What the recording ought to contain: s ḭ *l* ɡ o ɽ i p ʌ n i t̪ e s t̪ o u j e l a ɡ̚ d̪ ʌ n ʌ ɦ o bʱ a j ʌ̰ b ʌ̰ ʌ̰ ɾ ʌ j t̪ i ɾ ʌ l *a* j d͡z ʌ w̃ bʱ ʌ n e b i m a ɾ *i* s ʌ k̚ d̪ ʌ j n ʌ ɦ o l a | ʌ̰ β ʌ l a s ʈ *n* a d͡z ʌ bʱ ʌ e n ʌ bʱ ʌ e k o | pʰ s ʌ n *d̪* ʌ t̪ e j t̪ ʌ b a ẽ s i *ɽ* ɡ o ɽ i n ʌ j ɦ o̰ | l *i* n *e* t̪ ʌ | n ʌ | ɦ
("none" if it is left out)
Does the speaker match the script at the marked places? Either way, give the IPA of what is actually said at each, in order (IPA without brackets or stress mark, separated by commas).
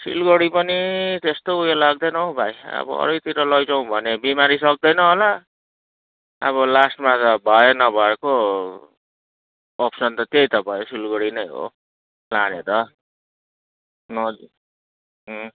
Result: l, ʌ, i, m, t̪, l, a, e